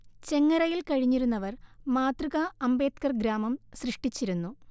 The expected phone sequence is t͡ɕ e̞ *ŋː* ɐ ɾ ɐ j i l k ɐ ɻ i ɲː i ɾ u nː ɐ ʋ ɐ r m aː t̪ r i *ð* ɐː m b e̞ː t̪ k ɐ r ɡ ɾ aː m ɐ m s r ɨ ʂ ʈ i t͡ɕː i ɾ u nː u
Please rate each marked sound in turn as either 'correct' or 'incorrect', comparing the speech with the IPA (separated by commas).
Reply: correct, incorrect